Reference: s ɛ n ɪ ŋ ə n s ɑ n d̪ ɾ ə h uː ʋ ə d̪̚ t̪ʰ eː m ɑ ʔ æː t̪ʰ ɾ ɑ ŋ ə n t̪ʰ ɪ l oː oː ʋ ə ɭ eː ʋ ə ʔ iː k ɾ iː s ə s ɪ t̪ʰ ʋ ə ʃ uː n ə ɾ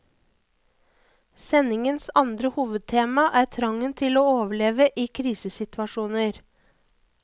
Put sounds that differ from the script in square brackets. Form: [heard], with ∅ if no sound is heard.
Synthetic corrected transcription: s ɛ n ɪ ŋ ə n s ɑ n d̪ ɾ ə h uː ʋ ə d̪̚ t̪ʰ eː m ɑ ʔ æː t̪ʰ ɾ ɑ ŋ ə n t̪ʰ ɪ l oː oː ʋ ə ɭ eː ʋ ə ʔ iː [kʰ] ɾ iː s ə s ɪ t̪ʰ ʋ [ɑ] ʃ uː n ə ɾ